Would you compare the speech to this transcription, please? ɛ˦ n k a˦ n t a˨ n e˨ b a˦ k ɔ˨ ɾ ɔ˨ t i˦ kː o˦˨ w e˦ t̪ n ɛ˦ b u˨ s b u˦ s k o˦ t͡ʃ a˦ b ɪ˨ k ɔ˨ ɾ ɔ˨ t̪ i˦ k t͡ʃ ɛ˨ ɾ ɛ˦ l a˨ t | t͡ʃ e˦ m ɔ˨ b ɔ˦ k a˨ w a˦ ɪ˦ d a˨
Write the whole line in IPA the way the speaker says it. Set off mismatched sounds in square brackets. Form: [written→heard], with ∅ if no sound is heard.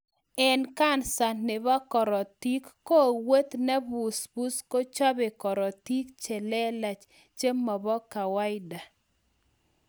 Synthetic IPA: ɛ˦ n k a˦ n [t→s] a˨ n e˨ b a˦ k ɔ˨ ɾ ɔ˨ t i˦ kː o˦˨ w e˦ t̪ n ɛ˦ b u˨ s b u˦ s k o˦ t͡ʃ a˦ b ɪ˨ k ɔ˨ ɾ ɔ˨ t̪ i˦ k t͡ʃ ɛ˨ [ɾ→l] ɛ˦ l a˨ [t→t͡ʃ] | t͡ʃ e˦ m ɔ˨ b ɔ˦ k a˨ w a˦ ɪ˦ d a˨